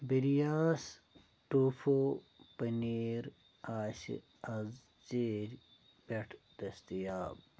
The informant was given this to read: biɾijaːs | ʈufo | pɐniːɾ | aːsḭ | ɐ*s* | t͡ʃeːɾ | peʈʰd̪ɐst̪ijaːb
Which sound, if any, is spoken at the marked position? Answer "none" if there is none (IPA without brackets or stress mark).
z